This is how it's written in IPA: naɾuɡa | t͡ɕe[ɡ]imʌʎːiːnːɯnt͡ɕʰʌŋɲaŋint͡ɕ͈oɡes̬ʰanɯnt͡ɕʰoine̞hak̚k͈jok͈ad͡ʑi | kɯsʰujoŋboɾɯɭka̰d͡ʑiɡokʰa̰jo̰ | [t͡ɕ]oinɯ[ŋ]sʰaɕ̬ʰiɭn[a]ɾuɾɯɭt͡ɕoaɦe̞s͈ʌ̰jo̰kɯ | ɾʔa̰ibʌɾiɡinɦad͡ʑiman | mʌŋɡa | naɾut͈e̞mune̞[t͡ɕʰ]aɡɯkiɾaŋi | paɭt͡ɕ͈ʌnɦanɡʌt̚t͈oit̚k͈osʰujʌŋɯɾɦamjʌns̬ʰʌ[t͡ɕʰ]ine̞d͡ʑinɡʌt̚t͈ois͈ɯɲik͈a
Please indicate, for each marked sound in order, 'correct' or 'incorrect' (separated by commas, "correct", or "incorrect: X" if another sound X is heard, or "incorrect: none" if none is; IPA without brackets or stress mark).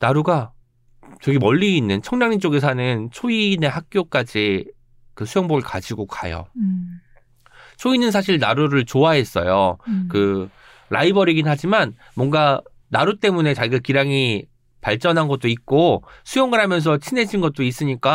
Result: correct, incorrect: t͡ɕʰ, incorrect: n, correct, incorrect: t͡ɕ, correct